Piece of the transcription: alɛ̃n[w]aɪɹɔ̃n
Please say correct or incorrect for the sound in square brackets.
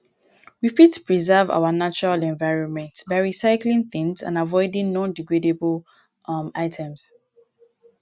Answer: incorrect